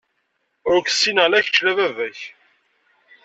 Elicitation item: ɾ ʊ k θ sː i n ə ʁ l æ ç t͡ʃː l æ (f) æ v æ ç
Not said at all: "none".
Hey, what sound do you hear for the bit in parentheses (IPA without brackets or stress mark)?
v